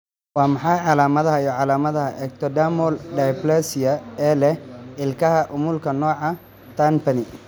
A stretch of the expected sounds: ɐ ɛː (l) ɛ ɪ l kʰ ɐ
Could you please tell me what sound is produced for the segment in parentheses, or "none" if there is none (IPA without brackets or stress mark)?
l